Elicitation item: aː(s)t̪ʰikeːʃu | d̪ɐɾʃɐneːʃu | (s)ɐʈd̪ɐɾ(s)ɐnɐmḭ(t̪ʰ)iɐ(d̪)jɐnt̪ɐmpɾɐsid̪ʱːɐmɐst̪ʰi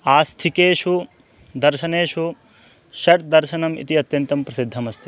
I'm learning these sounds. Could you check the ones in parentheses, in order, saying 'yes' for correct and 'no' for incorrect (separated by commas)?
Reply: yes, no, no, no, no